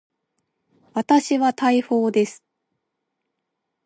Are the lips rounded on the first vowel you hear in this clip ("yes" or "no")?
no